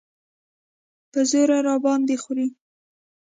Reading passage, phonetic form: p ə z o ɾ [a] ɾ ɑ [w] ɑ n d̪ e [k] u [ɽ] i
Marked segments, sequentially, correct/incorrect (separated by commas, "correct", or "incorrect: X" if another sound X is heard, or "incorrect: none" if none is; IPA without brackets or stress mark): correct, incorrect: b, incorrect: x, incorrect: ɾ